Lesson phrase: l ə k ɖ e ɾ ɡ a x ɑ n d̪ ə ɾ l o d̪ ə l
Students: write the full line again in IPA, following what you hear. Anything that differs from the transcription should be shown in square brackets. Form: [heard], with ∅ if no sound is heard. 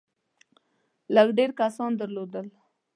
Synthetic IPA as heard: l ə [ɡ] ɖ e ɾ [k] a [s] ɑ n d̪ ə ɾ l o d̪ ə l